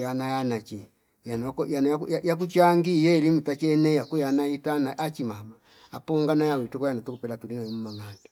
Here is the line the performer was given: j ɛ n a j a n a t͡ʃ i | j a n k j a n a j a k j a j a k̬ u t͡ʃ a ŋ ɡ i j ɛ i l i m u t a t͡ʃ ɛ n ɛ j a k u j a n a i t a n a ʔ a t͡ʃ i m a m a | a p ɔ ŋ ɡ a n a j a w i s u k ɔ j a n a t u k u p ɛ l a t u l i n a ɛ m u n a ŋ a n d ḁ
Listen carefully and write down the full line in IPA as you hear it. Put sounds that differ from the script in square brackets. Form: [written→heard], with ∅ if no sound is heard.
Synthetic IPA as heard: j [ɛ→a] n a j a n a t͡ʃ i | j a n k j a n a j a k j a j a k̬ u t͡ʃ a ŋ ɡ i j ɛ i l i m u t a t͡ʃ ɛ n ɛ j a k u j a n a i t a n a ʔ a t͡ʃ i m a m a | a p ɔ ŋ ɡ a n a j a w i [s→t] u k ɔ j a n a t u k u p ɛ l a t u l i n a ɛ m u [n→m] a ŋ a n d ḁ